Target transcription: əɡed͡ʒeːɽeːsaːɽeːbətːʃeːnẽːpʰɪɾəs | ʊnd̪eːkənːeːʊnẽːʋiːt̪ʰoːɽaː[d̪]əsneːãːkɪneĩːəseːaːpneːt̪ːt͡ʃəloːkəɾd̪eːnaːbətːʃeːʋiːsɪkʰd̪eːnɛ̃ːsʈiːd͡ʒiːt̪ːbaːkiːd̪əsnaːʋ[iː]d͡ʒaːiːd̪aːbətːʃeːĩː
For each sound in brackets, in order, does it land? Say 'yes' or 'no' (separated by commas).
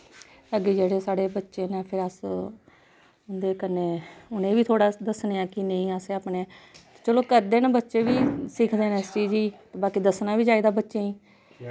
yes, yes